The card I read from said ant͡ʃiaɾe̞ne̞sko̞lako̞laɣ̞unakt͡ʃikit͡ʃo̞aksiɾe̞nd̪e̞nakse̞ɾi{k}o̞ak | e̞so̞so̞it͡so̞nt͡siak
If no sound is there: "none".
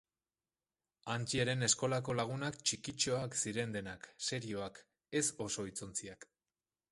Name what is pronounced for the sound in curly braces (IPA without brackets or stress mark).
none